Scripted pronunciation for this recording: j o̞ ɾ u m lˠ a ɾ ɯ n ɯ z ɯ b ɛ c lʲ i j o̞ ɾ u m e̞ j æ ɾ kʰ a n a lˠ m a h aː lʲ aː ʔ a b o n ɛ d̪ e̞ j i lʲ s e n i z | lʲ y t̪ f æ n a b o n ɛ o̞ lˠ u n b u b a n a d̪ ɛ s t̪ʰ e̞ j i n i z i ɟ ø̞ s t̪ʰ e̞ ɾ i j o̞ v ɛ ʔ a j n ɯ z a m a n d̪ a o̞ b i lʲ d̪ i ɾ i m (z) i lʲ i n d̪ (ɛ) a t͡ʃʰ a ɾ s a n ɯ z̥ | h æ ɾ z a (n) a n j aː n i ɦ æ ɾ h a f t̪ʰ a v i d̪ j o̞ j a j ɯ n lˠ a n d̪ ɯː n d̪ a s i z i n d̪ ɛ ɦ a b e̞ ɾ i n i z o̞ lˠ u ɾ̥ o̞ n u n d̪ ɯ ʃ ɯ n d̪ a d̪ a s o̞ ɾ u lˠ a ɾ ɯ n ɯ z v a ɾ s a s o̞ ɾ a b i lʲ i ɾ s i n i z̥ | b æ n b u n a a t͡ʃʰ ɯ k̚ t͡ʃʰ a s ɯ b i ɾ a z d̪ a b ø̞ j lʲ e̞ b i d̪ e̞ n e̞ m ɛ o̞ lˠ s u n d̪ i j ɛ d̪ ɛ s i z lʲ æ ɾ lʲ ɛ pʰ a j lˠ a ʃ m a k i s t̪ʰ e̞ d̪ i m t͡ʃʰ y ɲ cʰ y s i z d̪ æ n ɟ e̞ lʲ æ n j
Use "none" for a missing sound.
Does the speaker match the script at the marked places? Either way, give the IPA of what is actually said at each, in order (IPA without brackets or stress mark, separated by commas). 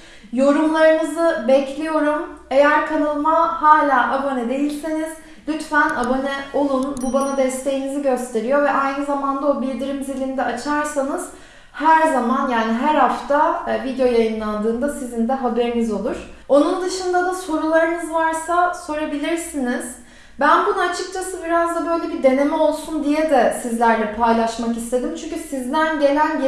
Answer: z, ɛ, m